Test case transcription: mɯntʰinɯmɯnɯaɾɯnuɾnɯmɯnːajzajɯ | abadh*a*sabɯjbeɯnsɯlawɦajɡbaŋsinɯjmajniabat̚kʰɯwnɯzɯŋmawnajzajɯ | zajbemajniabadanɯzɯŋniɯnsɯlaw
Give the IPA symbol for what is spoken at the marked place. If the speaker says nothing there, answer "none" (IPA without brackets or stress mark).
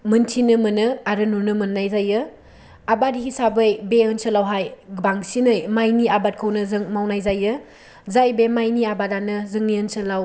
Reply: i